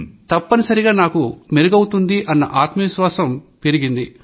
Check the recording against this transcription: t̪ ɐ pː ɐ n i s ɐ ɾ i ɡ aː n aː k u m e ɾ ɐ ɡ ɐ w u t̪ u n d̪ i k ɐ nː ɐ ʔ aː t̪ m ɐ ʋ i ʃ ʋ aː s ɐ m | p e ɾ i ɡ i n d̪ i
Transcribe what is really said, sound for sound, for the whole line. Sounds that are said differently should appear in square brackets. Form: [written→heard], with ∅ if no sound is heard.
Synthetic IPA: t̪ ɐ pː ɐ n i s ɐ ɾ i ɡ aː n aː k u m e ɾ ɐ ɡ ɐ w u t̪ u n d̪ i [k→ʔ] ɐ nː ɐ ʔ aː t̪ m ɐ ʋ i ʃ ʋ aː s ɐ m | p e ɾ i ɡ i n d̪ i